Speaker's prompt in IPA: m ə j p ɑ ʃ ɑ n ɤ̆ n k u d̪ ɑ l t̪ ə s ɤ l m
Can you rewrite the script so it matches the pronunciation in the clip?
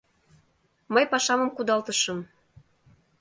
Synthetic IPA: m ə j p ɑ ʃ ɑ m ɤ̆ m k u d̪ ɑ l t̪ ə ʃ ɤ m